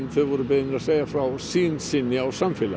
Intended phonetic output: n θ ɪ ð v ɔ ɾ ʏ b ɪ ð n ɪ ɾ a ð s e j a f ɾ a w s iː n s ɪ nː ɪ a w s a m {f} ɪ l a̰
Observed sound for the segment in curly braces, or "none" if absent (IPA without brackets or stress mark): f